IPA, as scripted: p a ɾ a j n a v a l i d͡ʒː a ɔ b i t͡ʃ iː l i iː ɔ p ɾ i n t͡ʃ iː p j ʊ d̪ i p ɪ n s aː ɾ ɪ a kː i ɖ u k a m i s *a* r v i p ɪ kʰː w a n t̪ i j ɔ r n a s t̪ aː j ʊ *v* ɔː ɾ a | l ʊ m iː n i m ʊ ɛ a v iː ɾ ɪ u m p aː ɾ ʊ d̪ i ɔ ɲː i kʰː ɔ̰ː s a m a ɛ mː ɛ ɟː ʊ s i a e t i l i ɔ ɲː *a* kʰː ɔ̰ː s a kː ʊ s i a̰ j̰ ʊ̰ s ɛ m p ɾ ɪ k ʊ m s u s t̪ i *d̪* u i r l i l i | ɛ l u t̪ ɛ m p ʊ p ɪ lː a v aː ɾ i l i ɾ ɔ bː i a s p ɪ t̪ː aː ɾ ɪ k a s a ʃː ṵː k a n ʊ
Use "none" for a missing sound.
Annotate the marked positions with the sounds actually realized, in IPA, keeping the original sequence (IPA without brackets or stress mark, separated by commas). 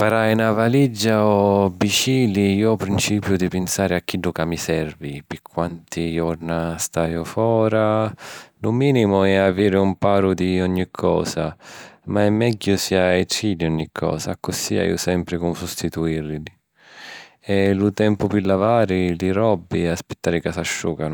ɛ, f, i, t̪